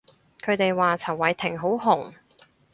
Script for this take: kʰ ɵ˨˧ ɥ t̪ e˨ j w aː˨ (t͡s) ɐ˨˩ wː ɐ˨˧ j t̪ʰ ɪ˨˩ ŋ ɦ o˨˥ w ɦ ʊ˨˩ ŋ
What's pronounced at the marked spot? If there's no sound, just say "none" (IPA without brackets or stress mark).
t͡sʰ